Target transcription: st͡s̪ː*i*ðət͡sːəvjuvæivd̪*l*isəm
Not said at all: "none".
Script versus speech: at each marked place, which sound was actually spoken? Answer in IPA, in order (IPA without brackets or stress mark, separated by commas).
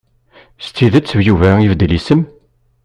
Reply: i, l